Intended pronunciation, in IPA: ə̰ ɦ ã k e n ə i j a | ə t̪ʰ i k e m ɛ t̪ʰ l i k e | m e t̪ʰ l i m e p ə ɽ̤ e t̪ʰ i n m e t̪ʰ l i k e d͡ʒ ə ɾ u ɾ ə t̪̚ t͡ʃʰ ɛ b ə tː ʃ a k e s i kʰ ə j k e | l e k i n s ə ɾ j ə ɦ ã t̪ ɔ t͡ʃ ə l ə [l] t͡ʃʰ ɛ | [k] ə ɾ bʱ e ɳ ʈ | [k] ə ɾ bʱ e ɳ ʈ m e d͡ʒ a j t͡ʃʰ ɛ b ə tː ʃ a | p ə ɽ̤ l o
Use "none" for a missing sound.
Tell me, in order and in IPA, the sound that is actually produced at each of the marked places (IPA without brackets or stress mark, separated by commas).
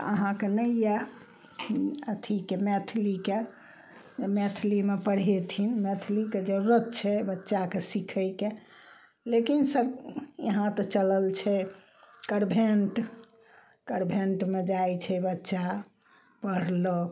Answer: l, k, k